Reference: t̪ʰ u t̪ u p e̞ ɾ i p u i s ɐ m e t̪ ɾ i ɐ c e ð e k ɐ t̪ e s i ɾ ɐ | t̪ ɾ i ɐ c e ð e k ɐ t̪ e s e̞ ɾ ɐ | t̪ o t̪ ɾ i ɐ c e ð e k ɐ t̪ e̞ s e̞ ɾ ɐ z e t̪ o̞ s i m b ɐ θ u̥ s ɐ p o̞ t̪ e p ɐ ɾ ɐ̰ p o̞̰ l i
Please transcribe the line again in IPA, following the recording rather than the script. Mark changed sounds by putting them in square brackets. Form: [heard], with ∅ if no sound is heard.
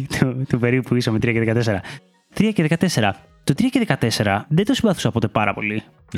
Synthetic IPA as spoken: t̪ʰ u t̪ u p e̞ ɾ i p u i s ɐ m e t̪ ɾ i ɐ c e ð e k ɐ t̪ e s [e] ɾ ɐ | t̪ ɾ i ɐ c e ð e k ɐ t̪ e s e̞ ɾ ɐ | t̪ o t̪ ɾ i ɐ c e ð e k ɐ t̪ e̞ s e̞ ɾ ɐ [ð] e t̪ o̞ s i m b ɐ θ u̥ s ɐ p o̞ t̪ e p ɐ ɾ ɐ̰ p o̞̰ l i